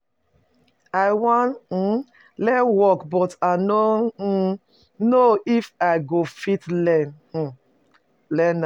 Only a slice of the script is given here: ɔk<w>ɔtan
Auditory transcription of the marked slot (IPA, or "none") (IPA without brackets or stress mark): b